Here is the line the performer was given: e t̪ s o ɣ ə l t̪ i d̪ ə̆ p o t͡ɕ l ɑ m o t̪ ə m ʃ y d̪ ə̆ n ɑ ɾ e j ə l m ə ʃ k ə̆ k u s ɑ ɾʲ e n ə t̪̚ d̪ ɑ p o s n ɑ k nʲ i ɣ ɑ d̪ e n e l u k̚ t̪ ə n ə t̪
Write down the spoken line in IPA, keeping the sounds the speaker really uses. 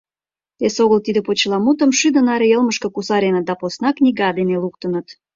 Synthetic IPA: e s o ɣ ə l t̪ i d̪ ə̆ p o t͡ɕ l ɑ m u t̪ ə m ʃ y d̪ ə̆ n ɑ ɾ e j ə l m ə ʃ k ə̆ k u s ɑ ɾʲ e n ə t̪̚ d̪ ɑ p o s n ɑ k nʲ i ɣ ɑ d̪ e n e l u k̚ t̪ ə n ə t̪